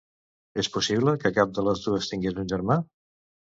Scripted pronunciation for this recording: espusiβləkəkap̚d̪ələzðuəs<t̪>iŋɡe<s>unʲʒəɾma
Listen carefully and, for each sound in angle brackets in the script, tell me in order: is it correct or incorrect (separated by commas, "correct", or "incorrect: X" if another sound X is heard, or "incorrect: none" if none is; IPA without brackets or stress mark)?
correct, incorrect: z